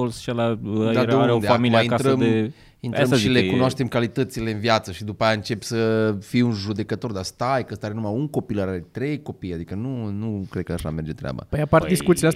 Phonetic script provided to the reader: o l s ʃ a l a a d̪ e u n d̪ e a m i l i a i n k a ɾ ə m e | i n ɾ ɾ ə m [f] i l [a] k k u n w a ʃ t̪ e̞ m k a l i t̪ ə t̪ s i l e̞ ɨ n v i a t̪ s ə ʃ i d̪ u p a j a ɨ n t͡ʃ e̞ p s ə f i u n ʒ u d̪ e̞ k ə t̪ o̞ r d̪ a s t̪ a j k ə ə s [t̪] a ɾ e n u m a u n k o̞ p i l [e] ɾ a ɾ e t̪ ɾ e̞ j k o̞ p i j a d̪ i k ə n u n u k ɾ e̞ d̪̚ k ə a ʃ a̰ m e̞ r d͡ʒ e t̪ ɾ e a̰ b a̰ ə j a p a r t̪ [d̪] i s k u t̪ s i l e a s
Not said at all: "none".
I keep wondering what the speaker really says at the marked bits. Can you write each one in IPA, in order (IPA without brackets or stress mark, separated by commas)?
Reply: ʃ, e, t̪, a, d̪